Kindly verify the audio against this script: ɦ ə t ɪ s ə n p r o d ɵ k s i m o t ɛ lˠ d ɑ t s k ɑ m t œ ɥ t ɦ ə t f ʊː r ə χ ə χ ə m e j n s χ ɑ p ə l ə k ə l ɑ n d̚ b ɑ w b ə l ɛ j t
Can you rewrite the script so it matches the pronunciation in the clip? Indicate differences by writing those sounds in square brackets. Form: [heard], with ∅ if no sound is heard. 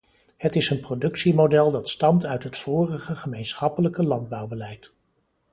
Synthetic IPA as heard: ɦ ə t ɪ s ə n p r o d ɵ k s i m o [d] ɛ lˠ d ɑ t s [t] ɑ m t œ ɥ t ɦ ə t f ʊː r ə χ ə χ ə m e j n s χ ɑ p ə l ə k ə l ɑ n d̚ b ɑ w b ə l ɛ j t